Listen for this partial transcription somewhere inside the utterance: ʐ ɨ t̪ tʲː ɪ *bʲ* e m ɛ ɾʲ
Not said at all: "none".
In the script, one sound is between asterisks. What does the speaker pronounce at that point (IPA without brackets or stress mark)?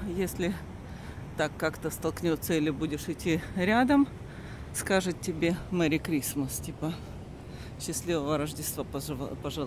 bʲ